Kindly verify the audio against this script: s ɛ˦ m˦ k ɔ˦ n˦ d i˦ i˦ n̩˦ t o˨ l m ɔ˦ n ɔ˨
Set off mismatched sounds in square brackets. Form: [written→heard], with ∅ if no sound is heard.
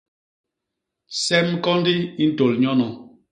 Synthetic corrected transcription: s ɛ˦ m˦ k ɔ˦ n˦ d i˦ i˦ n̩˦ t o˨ l [m→ɲ] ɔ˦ n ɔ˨